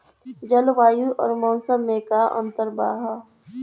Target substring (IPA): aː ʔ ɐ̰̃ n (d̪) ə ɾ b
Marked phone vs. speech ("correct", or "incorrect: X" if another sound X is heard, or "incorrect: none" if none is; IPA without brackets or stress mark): incorrect: t̪